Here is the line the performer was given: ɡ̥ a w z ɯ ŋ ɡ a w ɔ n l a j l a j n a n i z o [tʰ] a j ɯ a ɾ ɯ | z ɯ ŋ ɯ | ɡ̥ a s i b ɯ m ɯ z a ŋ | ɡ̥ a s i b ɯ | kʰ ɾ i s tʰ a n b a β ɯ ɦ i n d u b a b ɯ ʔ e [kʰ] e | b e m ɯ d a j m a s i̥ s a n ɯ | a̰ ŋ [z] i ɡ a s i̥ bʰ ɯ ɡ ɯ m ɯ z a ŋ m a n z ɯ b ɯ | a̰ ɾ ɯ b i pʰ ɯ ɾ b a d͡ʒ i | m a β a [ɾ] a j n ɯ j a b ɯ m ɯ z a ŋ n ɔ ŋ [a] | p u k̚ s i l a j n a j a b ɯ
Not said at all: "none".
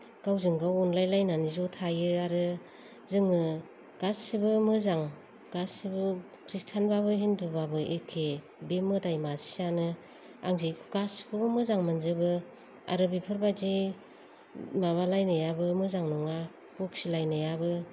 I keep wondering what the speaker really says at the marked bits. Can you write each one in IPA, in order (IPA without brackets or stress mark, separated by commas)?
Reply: tʰ, kʰ, z, l, a